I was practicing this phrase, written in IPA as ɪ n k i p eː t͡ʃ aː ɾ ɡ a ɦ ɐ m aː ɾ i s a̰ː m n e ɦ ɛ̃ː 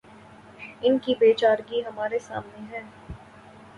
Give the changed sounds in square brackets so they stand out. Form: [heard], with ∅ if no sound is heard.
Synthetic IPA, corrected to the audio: ɪ n k i [b] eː t͡ʃ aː ɾ ɡ [i] ɦ ɐ m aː ɾ [e] s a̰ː m n e ɦ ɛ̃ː